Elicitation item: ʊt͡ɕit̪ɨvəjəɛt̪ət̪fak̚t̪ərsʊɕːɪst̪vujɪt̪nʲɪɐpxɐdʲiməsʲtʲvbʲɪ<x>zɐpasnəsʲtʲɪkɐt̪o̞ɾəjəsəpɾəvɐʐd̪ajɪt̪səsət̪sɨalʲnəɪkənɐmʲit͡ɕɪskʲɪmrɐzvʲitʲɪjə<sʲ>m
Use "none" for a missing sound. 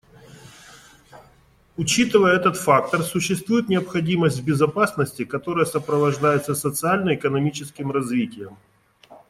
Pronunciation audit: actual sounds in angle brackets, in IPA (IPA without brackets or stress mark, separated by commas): none, none